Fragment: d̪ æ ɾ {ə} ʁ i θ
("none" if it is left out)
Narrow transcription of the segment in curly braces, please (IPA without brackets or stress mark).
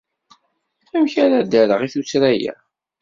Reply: ə